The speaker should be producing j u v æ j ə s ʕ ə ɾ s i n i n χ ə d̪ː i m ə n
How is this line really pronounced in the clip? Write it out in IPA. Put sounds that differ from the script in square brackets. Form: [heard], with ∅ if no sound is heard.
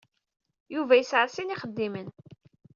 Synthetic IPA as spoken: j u v æ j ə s ʕ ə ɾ s i n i [∅] χ ə d̪ː i m ə n